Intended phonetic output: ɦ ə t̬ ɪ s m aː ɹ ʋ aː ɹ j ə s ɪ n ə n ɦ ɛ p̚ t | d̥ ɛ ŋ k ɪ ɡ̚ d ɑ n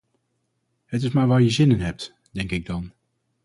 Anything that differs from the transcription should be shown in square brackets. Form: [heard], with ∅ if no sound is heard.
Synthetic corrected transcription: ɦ ə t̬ ɪ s m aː ɹ ʋ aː ɹ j ə [z] ɪ n ə n ɦ ɛ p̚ t | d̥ ɛ ŋ k ɪ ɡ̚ d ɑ n